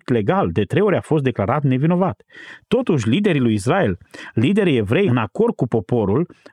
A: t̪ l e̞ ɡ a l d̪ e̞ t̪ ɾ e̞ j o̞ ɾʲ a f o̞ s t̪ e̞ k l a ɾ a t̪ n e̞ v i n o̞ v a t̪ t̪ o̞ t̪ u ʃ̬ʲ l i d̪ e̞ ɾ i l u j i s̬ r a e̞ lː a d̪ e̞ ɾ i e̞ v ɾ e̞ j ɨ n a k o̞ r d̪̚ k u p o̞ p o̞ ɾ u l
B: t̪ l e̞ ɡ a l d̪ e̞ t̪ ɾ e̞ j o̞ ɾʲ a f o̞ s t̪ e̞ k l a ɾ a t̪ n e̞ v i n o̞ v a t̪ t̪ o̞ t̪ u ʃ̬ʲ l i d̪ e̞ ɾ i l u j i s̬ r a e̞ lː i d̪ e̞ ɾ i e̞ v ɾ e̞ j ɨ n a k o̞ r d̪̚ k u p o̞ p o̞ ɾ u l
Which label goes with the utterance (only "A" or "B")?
B